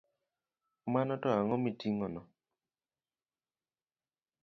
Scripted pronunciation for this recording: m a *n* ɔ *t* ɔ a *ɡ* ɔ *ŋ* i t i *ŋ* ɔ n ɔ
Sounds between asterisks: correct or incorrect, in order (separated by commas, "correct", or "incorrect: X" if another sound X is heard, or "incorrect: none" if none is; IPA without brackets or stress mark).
correct, correct, incorrect: ŋ, incorrect: m, correct